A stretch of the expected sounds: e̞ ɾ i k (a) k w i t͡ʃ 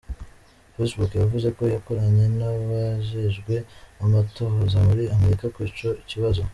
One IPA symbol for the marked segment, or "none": a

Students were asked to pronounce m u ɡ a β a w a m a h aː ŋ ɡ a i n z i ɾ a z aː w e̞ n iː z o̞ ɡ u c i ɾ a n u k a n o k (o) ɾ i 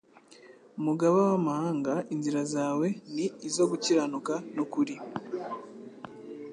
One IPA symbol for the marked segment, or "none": u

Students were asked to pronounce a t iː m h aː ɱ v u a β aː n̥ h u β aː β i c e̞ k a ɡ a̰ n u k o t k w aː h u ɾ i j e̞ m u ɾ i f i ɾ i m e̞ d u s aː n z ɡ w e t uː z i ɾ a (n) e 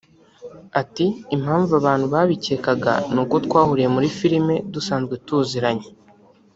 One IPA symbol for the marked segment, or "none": ɲ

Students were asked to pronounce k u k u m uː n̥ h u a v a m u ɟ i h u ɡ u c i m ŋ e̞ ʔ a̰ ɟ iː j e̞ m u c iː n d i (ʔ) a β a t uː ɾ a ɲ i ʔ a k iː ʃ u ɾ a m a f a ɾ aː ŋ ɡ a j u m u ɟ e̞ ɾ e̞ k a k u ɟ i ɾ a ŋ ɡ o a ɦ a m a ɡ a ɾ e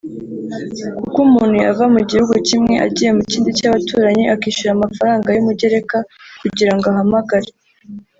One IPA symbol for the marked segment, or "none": c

